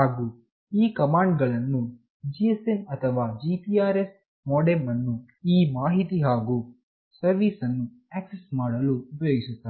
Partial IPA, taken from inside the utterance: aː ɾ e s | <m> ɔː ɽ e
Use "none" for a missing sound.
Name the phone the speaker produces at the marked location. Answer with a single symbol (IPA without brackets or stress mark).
m